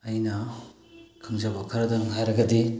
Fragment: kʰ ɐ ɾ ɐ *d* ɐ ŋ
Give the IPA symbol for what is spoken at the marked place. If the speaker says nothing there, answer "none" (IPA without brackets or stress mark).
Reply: d